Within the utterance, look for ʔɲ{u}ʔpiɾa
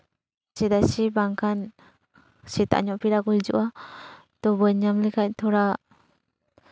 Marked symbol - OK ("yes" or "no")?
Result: no